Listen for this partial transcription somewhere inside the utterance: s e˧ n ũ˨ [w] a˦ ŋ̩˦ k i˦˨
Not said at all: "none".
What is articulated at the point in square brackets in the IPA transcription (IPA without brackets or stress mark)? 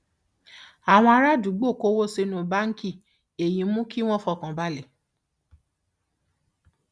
b